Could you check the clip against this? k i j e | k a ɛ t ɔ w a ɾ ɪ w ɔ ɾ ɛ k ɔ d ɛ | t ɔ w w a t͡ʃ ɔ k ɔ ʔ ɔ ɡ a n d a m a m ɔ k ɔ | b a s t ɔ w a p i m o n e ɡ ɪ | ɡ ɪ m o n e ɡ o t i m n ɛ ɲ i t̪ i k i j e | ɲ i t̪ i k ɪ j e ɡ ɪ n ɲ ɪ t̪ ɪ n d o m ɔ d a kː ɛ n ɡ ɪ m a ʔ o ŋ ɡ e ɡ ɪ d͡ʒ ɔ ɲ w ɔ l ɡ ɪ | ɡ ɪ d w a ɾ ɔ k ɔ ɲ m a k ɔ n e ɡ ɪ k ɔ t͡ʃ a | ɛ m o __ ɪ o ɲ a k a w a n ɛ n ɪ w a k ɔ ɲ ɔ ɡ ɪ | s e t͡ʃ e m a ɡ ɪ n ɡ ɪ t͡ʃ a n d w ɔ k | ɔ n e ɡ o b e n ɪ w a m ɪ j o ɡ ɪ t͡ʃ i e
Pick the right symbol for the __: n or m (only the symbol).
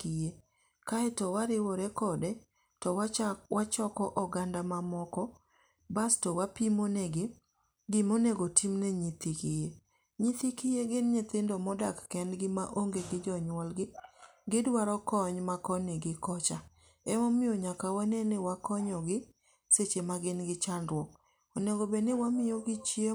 m